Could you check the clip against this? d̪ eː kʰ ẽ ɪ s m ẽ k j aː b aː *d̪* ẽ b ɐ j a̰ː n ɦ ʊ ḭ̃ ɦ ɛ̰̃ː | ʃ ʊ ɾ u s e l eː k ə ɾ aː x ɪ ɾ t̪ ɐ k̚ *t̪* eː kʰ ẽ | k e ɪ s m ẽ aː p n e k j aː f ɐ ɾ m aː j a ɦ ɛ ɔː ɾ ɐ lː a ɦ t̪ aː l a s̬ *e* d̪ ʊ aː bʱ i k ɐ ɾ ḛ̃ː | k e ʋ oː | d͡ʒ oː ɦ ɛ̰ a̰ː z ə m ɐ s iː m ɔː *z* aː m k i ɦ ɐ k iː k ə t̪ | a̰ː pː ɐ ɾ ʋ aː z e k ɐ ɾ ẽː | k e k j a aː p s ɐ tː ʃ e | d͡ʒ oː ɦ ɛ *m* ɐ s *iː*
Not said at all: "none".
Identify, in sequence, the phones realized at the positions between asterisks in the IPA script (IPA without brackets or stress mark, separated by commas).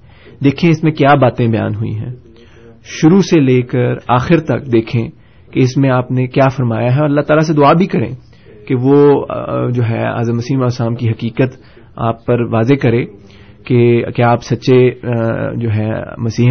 t̪, d̪, e, s, m, iː